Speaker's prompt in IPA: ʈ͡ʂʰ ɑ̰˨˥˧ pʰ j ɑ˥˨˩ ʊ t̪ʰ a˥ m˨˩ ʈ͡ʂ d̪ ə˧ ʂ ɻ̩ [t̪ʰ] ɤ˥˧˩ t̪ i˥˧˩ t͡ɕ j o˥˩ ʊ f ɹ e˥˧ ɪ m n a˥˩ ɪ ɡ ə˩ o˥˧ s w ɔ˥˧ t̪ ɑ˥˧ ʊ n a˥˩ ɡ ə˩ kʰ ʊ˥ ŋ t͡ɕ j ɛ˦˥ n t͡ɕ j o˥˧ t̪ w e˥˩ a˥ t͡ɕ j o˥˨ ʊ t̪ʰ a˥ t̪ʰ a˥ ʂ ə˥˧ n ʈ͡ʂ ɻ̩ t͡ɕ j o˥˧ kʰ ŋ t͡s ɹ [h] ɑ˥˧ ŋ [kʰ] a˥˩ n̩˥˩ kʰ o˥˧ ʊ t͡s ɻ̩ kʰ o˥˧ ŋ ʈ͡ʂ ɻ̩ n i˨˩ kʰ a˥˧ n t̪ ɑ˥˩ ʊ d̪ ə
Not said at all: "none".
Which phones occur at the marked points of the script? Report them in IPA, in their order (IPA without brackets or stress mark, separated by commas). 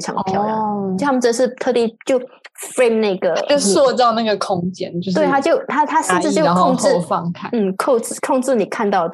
t̪ʰ, f, kʰ